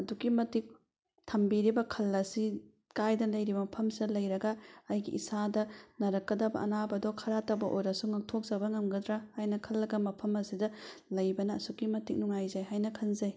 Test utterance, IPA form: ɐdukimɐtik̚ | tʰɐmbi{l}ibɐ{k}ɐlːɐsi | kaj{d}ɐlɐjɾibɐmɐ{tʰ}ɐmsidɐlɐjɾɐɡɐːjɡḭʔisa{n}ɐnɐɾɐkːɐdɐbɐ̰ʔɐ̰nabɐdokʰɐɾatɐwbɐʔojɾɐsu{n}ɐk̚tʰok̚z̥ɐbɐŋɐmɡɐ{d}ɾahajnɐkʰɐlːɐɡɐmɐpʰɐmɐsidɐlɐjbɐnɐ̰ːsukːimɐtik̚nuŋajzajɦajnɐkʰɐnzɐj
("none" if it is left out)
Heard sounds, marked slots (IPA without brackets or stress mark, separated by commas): ɾ, kʰ, d, pʰ, d, ŋ, d